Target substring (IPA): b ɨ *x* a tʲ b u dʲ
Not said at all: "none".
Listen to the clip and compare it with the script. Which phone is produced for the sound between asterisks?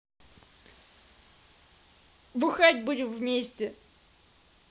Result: x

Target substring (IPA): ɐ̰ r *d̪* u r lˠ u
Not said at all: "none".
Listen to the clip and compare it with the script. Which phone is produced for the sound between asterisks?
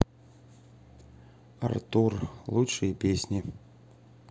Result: t̪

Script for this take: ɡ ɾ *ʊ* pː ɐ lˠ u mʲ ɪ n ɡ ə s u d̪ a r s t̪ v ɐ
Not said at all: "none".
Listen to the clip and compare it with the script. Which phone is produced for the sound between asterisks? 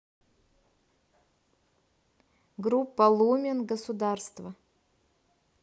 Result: u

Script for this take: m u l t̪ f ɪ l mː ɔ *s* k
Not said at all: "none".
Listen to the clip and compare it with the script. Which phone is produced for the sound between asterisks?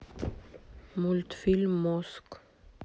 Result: s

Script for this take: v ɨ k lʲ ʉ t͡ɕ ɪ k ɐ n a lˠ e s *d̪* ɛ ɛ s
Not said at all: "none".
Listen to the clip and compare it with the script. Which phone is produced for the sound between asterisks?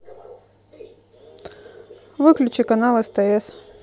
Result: t̪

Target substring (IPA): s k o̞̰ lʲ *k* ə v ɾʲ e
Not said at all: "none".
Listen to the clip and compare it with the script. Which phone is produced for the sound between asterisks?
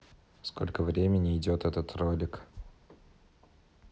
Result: k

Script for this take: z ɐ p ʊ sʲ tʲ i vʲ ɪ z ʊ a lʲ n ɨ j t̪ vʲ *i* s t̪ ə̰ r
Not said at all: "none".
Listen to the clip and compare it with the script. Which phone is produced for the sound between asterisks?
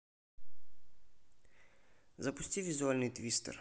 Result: i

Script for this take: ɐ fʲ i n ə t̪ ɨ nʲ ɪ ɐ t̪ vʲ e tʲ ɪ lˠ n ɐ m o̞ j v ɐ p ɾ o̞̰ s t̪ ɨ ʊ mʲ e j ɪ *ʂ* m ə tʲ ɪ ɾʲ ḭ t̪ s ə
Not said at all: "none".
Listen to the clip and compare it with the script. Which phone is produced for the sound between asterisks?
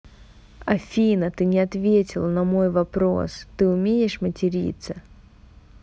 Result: ʂ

